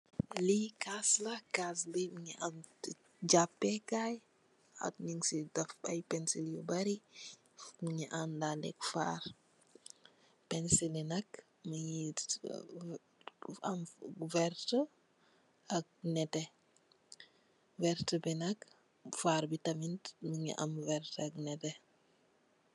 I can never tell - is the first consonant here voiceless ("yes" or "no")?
no